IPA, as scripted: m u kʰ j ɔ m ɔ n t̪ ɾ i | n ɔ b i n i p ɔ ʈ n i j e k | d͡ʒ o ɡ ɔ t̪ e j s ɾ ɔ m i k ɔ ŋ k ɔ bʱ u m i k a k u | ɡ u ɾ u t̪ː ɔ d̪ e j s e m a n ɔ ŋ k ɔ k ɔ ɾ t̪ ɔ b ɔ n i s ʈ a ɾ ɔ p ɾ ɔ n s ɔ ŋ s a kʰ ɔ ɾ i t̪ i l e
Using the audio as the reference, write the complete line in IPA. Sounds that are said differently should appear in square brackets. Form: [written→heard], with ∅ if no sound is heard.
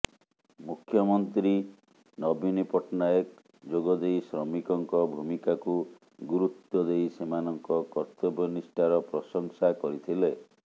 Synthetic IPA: m u kʰ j ɔ m ɔ n t̪ ɾ i | n ɔ b i n i p ɔ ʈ n [i→a] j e k | d͡ʒ o ɡ ɔ [t̪→d̪] e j s ɾ ɔ m i k ɔ ŋ k ɔ bʱ u m i k a k u | ɡ u ɾ u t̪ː ɔ d̪ e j s e m a n ɔ ŋ k ɔ k ɔ ɾ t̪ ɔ b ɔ n i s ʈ a ɾ ɔ p ɾ ɔ [n→∅] s ɔ ŋ s a [kʰ→k] ɔ ɾ i [t̪→t̪ʰ] i l e